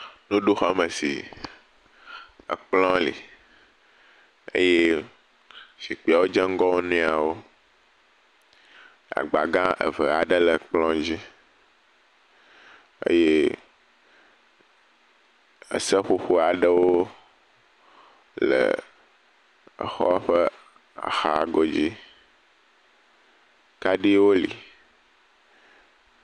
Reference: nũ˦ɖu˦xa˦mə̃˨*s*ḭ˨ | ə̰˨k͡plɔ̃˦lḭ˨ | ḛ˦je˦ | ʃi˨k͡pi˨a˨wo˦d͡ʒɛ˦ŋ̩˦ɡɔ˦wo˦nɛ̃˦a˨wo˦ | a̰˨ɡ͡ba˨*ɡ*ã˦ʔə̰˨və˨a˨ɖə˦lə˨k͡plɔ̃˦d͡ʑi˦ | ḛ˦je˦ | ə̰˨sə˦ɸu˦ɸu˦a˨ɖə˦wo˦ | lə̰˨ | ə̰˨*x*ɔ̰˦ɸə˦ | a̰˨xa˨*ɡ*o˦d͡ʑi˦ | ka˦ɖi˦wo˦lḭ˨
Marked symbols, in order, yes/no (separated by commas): yes, yes, yes, yes